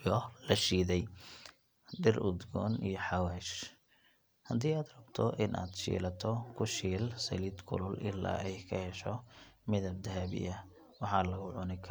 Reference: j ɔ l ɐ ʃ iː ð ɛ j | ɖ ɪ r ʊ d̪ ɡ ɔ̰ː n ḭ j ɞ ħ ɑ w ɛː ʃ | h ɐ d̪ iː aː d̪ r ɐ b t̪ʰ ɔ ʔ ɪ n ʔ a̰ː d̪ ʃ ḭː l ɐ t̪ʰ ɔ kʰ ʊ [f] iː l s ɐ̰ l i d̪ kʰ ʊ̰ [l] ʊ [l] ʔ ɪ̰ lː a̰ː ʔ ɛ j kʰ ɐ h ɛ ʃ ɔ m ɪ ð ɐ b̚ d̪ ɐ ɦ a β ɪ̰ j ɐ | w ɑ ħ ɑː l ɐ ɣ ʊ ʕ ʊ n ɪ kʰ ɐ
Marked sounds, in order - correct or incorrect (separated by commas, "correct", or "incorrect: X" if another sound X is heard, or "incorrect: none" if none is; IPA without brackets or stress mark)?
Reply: incorrect: ʃ, correct, correct